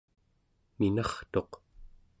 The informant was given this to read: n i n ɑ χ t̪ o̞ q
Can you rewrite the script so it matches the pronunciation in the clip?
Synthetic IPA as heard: m i n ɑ χ t̪ o̞ q